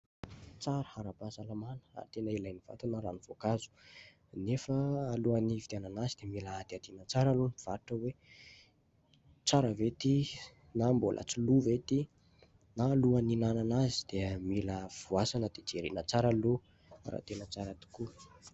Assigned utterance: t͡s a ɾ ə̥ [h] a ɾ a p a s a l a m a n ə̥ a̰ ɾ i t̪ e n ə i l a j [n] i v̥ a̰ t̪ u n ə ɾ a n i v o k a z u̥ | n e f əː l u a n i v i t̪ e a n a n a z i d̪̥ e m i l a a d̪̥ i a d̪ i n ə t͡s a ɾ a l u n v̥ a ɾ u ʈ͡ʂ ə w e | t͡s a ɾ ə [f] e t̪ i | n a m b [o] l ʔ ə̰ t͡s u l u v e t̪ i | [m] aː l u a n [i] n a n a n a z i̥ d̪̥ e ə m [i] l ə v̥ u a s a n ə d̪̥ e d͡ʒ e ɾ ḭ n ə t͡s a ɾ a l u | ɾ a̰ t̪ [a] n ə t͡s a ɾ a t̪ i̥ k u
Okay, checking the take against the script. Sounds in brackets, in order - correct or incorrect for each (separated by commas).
correct, correct, incorrect, correct, incorrect, correct, correct, incorrect